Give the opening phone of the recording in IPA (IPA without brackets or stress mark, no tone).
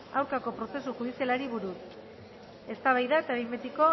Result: a